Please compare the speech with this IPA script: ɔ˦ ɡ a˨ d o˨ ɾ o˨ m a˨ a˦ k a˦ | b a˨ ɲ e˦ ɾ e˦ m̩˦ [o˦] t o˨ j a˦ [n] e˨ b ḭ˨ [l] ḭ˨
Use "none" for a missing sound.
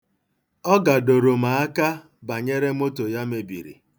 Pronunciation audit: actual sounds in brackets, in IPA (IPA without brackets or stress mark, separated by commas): o˦, m, ɾ